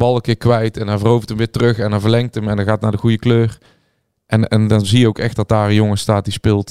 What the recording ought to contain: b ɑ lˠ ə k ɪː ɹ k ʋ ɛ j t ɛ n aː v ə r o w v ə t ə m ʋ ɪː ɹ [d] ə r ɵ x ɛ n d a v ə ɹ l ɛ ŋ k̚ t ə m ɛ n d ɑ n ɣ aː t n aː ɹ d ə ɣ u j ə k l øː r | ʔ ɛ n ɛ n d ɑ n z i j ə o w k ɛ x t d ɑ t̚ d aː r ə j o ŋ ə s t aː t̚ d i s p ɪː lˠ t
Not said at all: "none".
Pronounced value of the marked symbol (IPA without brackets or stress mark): t